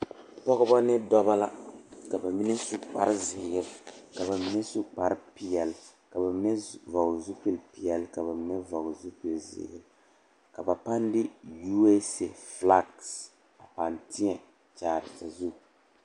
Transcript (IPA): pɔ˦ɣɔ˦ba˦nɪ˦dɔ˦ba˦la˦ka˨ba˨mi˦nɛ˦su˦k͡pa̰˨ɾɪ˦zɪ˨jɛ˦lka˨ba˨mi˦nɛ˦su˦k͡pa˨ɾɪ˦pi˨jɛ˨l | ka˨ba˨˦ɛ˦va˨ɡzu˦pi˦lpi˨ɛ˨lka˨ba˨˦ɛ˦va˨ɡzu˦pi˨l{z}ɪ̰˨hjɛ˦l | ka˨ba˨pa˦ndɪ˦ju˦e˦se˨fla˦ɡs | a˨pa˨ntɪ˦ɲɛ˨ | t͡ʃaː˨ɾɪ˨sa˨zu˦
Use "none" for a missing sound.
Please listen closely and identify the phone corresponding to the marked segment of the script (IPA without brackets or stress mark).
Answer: z